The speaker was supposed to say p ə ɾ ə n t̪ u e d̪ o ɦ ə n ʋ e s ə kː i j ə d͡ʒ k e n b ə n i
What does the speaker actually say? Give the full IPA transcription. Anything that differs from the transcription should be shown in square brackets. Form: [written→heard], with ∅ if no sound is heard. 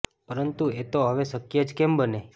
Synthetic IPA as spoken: p ə ɾ ə n t̪ u e [d̪→t̪] o ɦ ə [n→∅] ʋ e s ə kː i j ə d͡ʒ k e [n→m] b ə n [i→e]